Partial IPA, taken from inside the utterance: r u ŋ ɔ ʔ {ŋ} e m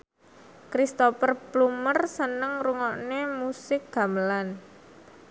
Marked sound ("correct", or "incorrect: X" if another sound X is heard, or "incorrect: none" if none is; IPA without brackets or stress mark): incorrect: n